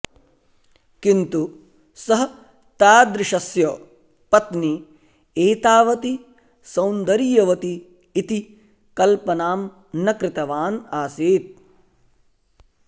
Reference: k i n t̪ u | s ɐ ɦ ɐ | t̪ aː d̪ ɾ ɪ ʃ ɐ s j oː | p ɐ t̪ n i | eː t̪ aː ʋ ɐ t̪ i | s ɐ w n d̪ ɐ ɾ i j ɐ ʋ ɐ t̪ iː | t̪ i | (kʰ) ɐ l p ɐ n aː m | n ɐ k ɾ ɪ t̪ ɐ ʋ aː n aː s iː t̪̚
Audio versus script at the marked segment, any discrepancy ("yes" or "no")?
yes